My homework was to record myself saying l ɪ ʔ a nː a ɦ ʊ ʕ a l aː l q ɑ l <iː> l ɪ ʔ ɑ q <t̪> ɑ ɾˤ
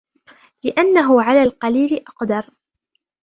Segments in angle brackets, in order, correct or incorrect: correct, incorrect

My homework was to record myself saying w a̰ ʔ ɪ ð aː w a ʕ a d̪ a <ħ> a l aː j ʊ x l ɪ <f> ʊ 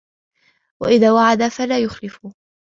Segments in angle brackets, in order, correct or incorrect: incorrect, correct

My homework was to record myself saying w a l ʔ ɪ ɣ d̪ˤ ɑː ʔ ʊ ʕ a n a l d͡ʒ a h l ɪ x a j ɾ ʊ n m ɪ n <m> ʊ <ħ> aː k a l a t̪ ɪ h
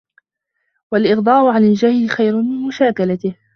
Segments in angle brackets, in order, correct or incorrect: correct, incorrect

